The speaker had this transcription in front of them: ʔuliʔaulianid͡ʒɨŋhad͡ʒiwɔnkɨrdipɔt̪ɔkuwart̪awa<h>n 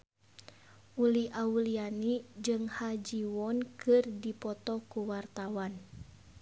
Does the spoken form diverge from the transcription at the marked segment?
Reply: yes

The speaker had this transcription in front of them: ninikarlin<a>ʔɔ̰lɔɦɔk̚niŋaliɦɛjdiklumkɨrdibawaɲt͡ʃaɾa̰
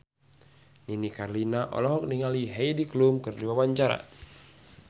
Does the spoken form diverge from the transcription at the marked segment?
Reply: no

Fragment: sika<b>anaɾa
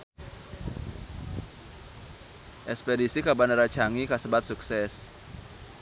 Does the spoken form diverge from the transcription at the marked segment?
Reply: no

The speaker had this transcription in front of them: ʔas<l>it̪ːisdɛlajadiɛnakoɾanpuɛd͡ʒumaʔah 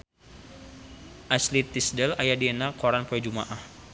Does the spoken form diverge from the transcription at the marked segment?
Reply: no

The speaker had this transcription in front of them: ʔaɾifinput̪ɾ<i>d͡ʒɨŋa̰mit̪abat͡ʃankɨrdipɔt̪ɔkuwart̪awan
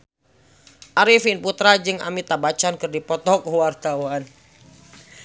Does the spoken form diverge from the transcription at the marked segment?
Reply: yes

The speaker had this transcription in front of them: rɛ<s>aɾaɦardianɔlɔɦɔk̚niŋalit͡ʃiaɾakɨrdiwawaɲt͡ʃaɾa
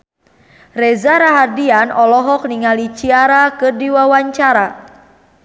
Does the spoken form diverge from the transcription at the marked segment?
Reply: yes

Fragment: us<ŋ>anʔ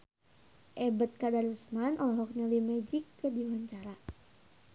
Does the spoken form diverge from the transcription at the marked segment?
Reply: yes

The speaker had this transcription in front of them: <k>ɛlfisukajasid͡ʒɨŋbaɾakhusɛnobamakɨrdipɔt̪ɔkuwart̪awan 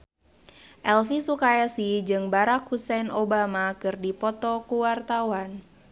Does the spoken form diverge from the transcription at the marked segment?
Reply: yes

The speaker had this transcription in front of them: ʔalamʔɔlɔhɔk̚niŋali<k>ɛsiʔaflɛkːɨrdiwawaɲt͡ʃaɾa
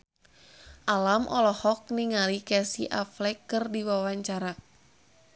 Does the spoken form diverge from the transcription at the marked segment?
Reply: no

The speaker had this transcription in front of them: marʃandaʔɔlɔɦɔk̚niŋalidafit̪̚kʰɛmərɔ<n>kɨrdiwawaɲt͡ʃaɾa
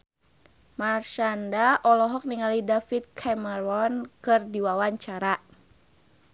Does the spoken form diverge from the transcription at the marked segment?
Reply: no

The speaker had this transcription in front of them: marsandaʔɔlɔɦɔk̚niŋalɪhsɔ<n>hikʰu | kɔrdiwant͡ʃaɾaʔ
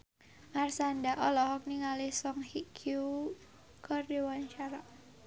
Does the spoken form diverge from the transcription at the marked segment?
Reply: yes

